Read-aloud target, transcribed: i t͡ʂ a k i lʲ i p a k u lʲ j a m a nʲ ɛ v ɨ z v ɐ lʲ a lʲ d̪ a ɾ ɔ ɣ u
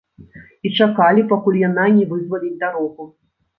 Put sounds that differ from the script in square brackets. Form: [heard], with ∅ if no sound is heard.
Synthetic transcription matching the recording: i t͡ʂ a k [a] lʲ i p a k u lʲ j a [n] a nʲ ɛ v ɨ z v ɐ lʲ [i] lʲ d̪ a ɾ ɔ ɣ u